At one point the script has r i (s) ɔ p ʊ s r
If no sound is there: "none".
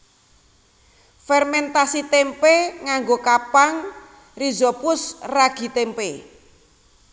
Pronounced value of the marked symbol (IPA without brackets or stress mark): z